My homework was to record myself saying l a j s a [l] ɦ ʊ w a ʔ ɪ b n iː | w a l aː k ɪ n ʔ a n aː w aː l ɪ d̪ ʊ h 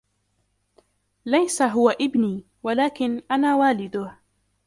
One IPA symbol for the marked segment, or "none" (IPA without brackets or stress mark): none